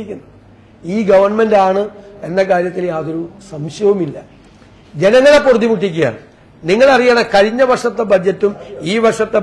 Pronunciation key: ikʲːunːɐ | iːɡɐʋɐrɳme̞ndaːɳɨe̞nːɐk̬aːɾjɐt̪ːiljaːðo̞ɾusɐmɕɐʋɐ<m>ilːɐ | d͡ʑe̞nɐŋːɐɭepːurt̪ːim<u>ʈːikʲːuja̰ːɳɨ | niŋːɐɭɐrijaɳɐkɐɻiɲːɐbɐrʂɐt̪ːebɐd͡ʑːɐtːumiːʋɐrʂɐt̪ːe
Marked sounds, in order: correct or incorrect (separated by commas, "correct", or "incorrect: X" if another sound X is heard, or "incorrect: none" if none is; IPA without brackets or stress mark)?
correct, correct